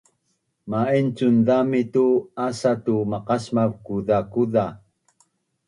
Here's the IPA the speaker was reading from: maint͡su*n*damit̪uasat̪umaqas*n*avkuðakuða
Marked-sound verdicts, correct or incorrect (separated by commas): correct, incorrect